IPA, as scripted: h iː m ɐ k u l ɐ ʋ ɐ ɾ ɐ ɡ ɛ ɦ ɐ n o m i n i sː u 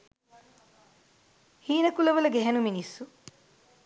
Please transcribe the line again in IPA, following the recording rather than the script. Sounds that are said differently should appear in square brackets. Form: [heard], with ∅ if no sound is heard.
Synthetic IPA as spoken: h iː [n] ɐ k u l ɐ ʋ ɐ [l] ɐ ɡ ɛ ɦ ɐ n [u] m i n i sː u

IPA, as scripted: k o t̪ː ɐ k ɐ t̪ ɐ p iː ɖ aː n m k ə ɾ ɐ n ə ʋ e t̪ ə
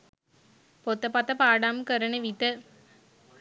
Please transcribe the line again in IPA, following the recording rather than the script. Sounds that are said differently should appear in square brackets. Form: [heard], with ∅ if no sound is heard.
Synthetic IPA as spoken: [p] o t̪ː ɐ [p] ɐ t̪ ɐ p [aː] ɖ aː [∅] m k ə ɾ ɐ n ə ʋ [i] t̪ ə

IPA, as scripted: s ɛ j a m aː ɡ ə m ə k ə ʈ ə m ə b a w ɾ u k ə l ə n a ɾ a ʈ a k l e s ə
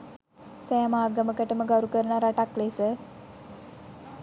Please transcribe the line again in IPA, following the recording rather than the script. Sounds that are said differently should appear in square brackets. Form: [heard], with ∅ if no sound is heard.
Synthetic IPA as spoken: s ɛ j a m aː ɡ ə m ə k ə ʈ ə m ə [ɡ] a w ɾ u k ə [ɾ] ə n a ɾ a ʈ a k l e s ə

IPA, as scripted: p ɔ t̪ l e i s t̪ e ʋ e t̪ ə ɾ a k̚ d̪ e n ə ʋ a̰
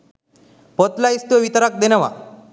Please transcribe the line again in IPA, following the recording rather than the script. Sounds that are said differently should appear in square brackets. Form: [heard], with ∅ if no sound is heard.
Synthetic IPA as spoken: p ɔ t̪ l [a] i s t̪ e ʋ [i] t̪ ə ɾ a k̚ d̪ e n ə ʋ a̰

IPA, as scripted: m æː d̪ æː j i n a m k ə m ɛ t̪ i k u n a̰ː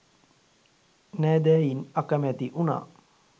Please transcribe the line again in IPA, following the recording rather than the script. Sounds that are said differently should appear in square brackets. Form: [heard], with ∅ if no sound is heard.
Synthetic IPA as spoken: [n] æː d̪ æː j i n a [∅] k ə m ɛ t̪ i [ʔ] u n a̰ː

